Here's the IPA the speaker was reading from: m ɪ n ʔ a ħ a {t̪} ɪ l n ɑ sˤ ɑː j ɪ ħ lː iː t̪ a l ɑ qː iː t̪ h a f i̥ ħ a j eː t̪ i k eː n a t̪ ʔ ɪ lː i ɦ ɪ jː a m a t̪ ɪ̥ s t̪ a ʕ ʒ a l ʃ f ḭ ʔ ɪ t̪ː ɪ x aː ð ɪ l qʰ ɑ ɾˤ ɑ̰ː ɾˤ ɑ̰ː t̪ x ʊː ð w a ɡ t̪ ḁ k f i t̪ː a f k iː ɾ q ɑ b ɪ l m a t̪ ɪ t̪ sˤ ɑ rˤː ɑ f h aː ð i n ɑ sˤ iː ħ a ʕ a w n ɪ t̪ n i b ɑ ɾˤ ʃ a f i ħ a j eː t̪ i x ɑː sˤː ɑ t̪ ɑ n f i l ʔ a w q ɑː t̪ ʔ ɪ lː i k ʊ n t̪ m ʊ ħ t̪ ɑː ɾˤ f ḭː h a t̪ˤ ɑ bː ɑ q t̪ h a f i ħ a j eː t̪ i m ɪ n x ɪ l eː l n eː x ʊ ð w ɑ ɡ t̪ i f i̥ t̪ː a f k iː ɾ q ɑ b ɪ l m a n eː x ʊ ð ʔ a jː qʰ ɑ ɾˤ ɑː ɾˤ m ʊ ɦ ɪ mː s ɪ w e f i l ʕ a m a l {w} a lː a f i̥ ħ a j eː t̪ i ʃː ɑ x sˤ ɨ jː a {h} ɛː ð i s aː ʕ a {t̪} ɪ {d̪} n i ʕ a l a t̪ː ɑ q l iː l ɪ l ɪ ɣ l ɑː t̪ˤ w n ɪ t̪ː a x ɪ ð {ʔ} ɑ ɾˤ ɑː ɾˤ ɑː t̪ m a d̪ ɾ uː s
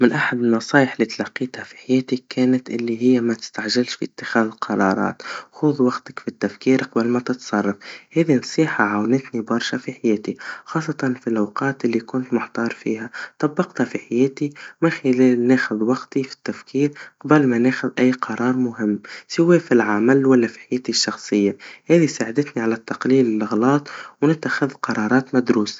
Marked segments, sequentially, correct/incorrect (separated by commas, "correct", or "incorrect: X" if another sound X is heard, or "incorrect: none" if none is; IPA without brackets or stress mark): incorrect: d̪, correct, correct, incorrect: d̪, incorrect: t̪, incorrect: q